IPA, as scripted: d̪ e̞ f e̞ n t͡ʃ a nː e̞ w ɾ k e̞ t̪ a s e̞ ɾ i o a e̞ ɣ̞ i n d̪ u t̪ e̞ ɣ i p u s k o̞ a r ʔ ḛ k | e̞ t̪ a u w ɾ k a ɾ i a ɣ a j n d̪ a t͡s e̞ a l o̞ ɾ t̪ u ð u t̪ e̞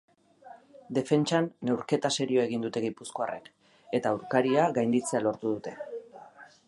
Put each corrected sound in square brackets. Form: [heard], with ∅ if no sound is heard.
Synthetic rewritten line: d̪ e̞ f e̞ n t͡ʃ a nː e̞ w ɾ k e̞ t̪ a s e̞ ɾ i o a e̞ ɣ̞ i n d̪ u t̪ e̞ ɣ i p u s k o̞ a r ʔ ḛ k | e̞ t̪ a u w ɾ k a ɾ i a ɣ a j n d̪ [i] t͡s e̞ a l o̞ ɾ t̪ u ð u t̪ e̞